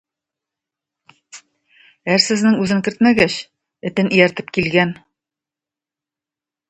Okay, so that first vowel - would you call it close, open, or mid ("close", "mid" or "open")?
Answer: open